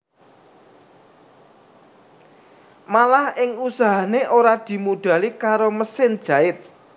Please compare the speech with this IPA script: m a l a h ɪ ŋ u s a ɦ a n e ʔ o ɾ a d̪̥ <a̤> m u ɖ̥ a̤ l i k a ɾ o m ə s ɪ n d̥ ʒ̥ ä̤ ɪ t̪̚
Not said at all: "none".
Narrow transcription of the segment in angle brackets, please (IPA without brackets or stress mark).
i̤